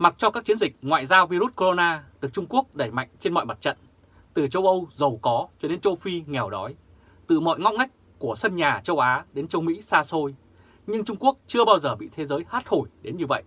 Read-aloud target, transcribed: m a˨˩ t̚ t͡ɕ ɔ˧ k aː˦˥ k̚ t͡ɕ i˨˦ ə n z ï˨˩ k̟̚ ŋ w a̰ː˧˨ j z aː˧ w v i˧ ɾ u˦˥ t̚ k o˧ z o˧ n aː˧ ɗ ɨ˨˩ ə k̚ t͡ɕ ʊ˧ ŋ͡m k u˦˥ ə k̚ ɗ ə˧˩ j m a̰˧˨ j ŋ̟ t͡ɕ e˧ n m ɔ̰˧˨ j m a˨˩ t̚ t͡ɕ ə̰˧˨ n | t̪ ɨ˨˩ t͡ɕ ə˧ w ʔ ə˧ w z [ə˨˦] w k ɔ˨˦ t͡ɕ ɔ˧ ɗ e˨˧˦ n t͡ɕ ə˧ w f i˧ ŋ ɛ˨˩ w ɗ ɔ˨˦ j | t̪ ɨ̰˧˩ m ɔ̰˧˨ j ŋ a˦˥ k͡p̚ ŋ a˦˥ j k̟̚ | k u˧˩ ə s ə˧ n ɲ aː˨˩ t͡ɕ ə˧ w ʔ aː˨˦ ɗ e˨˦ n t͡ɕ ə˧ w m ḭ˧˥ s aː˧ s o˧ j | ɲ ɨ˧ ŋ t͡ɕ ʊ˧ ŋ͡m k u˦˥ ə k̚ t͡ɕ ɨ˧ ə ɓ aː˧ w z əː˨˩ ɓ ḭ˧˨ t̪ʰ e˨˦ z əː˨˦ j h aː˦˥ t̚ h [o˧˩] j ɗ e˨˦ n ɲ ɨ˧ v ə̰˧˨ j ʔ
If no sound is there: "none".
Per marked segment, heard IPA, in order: ə˨˩, o˧˩

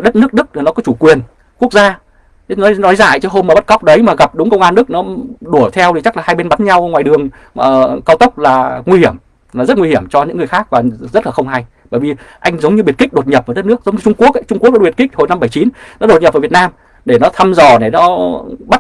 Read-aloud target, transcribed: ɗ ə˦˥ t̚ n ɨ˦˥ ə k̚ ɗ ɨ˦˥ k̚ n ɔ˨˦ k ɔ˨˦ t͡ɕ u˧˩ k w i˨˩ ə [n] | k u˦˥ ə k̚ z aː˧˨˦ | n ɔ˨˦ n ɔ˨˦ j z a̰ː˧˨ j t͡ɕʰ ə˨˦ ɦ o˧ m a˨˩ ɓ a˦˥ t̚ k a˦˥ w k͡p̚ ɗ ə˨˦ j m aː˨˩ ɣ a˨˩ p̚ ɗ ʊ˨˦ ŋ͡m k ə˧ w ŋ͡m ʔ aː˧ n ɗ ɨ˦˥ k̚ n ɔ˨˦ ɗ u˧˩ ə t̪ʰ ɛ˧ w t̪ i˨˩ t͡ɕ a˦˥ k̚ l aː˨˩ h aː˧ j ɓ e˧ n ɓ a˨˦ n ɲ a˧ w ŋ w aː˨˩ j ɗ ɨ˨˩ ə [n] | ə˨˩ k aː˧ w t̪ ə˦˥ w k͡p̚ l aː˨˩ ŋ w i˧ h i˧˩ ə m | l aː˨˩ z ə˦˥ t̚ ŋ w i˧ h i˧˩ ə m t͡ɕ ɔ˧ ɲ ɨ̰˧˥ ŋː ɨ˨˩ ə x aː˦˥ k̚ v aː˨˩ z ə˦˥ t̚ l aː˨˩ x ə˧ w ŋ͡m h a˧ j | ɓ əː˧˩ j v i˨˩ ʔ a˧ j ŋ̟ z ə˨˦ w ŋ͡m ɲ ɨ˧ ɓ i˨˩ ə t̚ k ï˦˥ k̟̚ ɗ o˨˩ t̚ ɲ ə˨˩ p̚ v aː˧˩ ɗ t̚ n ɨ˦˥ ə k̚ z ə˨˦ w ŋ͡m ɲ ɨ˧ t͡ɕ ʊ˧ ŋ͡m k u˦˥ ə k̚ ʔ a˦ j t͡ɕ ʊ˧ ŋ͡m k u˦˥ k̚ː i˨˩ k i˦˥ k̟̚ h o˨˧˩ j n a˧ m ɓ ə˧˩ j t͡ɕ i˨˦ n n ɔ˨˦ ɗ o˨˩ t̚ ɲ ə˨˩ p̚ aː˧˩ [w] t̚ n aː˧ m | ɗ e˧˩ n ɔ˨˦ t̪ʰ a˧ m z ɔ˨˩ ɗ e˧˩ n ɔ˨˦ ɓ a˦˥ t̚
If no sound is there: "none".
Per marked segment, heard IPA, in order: n, ŋ, v

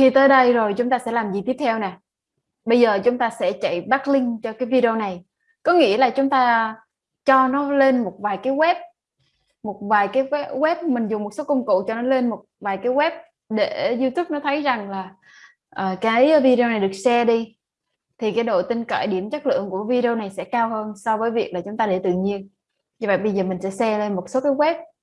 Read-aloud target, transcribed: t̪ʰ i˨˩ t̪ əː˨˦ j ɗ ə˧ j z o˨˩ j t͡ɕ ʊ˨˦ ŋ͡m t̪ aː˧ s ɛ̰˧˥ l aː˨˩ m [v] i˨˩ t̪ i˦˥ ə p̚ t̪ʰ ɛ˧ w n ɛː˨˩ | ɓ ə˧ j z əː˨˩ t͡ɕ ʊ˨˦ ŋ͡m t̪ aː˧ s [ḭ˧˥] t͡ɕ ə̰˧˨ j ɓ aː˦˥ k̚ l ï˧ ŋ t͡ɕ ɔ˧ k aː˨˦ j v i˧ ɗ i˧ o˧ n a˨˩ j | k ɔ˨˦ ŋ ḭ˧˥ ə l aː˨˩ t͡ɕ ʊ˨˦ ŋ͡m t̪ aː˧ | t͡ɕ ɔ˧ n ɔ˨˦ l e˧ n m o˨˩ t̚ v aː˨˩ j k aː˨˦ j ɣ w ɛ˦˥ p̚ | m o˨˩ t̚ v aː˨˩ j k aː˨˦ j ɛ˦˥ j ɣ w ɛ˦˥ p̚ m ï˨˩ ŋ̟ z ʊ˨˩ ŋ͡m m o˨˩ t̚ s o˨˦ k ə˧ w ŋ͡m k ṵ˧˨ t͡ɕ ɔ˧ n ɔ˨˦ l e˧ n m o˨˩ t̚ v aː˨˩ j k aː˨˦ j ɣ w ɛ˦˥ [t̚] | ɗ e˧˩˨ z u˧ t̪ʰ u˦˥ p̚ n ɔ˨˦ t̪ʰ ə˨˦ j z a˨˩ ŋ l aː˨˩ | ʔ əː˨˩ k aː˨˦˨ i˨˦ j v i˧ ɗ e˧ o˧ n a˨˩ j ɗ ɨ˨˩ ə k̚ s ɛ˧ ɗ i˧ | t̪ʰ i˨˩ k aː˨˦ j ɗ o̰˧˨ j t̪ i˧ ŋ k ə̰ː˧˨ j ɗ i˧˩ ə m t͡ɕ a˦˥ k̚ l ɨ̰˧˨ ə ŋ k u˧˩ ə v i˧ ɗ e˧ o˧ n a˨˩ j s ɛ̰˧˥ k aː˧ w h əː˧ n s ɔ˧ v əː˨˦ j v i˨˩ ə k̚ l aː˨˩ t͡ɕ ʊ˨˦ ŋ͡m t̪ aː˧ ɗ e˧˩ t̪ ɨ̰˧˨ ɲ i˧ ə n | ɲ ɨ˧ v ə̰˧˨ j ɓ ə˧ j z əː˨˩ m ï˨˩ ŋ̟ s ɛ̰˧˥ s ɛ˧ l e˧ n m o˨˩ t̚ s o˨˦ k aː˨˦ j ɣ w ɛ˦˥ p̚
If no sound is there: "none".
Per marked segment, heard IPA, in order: z, ɛ̰˧˥, p̚

